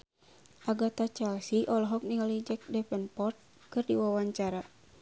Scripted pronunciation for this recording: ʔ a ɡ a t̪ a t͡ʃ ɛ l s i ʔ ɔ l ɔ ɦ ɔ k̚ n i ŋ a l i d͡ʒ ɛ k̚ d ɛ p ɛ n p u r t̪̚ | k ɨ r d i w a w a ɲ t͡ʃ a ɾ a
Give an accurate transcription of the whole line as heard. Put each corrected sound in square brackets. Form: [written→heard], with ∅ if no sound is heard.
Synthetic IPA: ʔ a ɡ a t̪ a t͡ʃ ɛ l s i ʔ ɔ l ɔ ɦ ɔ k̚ n i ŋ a l i d͡ʒ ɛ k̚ d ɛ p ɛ n p [u→ɔ] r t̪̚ | k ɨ r d i w a w a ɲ t͡ʃ a ɾ a